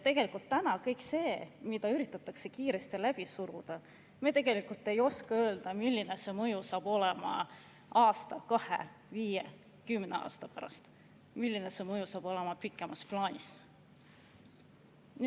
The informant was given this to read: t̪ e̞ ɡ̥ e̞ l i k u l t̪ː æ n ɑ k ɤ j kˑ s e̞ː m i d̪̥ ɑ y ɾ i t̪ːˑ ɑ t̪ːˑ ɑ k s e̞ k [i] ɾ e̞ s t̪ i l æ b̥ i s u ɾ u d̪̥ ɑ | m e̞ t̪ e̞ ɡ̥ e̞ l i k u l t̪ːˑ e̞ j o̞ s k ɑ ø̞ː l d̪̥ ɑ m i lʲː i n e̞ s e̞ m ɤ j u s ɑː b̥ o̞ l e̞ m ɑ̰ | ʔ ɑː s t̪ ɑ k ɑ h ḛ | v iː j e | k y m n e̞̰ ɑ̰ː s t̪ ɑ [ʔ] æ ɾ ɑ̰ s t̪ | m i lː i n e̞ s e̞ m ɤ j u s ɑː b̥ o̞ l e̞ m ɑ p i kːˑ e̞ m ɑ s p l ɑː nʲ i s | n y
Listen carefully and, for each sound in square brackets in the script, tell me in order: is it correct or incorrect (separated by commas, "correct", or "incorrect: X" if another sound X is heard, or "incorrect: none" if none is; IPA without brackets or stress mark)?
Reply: incorrect: iː, incorrect: p